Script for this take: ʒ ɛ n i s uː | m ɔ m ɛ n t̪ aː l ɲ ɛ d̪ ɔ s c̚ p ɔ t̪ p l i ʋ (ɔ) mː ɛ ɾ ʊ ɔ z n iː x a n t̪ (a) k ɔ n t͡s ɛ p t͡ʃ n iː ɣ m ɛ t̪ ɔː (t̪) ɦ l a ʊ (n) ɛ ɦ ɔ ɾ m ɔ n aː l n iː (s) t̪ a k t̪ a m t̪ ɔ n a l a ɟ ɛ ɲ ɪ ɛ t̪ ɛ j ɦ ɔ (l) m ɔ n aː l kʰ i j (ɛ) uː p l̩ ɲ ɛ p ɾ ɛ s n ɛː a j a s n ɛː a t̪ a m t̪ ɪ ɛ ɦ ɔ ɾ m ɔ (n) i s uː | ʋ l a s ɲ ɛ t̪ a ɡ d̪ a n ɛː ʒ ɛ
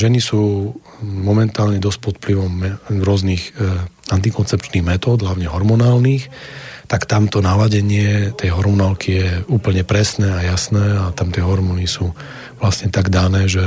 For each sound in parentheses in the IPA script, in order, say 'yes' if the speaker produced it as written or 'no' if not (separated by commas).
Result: yes, no, no, no, no, no, yes, yes